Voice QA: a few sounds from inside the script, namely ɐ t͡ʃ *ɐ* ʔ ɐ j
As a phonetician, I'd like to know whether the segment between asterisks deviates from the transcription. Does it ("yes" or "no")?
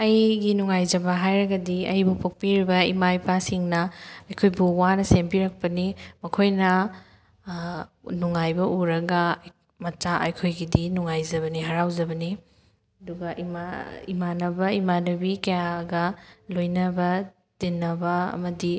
yes